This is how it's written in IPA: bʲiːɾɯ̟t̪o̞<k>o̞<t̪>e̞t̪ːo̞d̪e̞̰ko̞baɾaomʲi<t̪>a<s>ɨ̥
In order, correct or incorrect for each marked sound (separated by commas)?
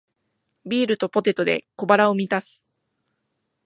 incorrect, correct, correct, correct